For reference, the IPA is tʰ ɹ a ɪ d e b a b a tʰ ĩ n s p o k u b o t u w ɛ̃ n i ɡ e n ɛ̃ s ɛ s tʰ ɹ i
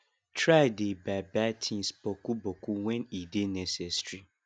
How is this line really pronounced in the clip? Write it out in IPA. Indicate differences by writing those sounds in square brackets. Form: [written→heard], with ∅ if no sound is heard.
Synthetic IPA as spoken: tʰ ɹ a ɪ d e b a b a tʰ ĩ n s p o k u b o [t→k] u w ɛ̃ n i [ɡ→d] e n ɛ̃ s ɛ s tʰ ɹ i